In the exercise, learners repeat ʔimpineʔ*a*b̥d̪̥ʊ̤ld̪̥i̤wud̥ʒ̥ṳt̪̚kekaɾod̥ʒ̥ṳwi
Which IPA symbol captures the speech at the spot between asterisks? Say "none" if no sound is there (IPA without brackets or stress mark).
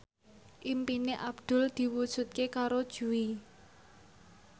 a